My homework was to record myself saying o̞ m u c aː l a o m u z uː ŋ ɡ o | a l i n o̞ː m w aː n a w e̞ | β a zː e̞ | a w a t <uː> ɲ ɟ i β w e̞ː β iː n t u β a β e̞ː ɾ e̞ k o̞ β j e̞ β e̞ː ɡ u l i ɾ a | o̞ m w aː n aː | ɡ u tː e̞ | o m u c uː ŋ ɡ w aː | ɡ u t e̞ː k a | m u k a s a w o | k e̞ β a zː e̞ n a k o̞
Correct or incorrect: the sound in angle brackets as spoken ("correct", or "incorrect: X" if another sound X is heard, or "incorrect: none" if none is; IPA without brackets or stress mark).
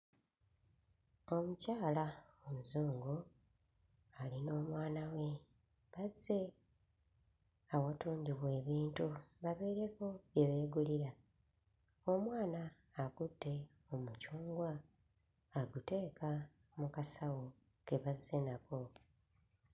correct